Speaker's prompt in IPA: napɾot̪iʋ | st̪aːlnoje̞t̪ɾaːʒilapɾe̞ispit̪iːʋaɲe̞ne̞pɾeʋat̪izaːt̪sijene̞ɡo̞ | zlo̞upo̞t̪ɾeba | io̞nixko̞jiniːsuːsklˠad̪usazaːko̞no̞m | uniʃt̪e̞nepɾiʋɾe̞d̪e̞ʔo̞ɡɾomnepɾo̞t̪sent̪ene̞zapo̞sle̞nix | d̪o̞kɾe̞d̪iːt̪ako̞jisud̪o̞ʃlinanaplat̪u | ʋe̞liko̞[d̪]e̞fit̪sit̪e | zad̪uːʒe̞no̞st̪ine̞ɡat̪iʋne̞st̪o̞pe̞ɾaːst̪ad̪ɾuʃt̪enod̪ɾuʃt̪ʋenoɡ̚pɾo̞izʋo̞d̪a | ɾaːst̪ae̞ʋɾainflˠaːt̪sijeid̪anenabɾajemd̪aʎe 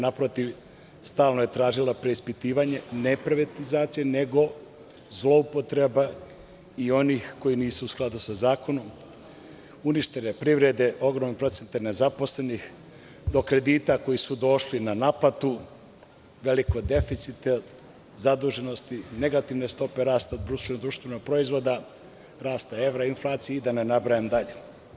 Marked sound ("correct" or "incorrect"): correct